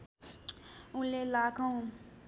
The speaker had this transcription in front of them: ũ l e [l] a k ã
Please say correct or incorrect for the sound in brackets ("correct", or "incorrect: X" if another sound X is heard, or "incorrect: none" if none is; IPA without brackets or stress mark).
correct